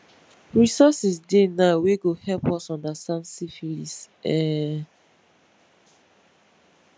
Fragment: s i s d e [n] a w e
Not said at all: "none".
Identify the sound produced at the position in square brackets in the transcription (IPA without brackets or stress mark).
n